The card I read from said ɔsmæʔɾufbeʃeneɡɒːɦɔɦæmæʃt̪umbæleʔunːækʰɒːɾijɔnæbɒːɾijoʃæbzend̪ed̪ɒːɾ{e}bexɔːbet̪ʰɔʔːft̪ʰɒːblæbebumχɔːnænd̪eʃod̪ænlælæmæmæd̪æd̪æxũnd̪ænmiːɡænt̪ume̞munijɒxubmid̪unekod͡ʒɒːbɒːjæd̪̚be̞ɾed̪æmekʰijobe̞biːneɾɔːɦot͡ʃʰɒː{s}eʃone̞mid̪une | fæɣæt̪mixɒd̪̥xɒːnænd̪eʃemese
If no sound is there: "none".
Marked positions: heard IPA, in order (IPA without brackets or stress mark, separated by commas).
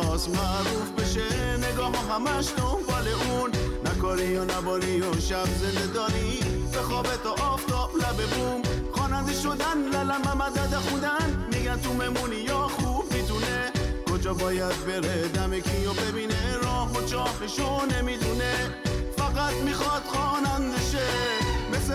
i, f